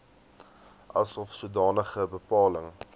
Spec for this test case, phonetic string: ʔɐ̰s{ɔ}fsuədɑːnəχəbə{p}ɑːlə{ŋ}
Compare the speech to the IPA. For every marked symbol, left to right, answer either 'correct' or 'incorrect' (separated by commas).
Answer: correct, correct, correct